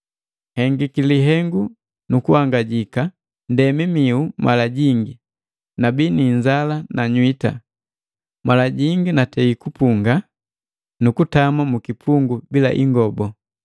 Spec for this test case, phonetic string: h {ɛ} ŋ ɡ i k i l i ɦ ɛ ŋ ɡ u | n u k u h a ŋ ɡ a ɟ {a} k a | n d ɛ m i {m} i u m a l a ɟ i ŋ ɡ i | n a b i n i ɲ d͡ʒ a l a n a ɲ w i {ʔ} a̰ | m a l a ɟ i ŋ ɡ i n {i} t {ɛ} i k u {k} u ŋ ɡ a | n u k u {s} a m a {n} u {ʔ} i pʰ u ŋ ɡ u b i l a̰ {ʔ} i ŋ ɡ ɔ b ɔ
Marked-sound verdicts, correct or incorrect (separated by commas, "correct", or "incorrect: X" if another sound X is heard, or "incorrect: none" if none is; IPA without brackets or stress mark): correct, incorrect: i, correct, incorrect: t, incorrect: a, correct, incorrect: p, incorrect: t, incorrect: m, incorrect: k, correct